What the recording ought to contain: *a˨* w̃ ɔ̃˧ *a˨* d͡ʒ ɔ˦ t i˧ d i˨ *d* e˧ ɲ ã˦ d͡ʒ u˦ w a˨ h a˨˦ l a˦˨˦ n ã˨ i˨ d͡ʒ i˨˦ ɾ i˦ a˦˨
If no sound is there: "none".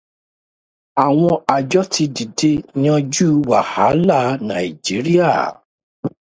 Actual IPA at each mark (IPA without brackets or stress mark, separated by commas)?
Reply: a˨, a˨, d